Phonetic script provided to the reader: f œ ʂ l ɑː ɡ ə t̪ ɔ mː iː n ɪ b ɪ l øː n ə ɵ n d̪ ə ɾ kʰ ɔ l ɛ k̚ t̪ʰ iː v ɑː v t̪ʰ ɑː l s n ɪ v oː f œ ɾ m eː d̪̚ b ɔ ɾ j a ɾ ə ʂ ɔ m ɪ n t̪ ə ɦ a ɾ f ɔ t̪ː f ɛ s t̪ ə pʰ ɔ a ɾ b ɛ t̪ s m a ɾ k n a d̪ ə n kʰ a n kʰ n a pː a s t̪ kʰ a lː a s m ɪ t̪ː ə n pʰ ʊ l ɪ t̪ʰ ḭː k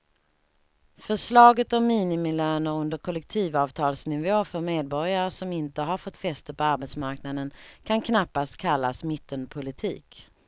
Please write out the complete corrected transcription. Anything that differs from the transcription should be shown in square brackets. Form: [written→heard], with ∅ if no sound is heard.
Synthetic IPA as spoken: f œ ʂ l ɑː ɡ ə t̪ ɔ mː iː n ɪ [b→m] ɪ l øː n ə ɵ n d̪ ə ɾ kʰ ɔ l ɛ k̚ t̪ʰ iː v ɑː v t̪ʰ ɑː l s n ɪ v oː f œ ɾ m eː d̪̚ b ɔ ɾ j a ɾ ə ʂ ɔ m ɪ n t̪ ə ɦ a ɾ f ɔ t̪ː f ɛ s t̪ ə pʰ ɔ a ɾ b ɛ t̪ s m a ɾ k n a d̪ ə n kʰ a n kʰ n a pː a s t̪ kʰ a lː a s m ɪ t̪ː ə n pʰ ʊ l ɪ t̪ʰ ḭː k

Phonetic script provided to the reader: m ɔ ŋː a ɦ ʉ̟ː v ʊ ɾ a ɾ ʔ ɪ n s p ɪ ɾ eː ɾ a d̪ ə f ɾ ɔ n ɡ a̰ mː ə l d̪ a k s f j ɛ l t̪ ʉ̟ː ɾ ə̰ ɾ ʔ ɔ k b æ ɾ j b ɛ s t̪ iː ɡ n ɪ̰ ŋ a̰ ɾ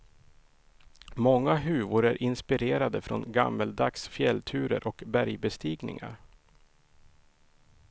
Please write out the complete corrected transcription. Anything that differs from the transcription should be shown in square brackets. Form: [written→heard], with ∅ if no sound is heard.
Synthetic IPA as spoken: m ɔ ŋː a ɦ ʉ̟ː v ʊ ɾ [a→æ] ɾ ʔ ɪ n s p ɪ ɾ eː ɾ a d̪ ə f ɾ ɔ n ɡ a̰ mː ə l d̪ a k s f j ɛ l [t̪→t̪ʰ] ʉ̟ː ɾ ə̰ ɾ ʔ ɔ k b æ ɾ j b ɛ s t̪ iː ɡ n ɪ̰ ŋ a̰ ɾ

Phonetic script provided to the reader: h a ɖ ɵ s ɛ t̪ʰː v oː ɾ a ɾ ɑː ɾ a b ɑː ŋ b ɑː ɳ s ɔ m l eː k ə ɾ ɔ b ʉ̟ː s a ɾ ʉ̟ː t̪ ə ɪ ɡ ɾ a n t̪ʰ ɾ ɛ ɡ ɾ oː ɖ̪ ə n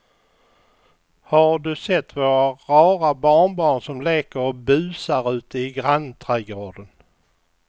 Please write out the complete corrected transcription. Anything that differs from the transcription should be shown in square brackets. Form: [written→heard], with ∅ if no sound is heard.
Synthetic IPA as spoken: h a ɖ ɵ s ɛ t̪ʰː v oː ɾ a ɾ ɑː ɾ a b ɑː [ŋ→ɳ] b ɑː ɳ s ɔ m l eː k ə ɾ ɔ b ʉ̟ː s a ɾ ʉ̟ː t̪ ə ɪ ɡ ɾ a n t̪ʰ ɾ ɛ ɡ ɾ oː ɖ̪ ə n

